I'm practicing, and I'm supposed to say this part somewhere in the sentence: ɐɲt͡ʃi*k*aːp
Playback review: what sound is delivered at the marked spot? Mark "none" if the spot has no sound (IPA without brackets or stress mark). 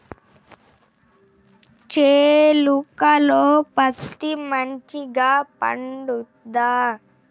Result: ɡ